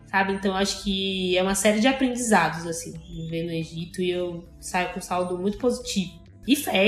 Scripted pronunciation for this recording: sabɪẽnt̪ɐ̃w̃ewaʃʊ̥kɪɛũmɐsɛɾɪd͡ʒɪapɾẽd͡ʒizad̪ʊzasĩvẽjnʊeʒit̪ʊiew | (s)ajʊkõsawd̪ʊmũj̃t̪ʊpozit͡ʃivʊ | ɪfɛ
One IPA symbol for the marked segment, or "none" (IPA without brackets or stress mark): s